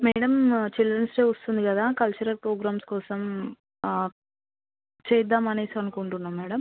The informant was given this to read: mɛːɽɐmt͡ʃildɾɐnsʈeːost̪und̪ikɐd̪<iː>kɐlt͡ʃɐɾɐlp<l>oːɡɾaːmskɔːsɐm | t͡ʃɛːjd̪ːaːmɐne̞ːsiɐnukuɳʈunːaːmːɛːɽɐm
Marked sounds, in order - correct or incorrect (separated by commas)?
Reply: incorrect, incorrect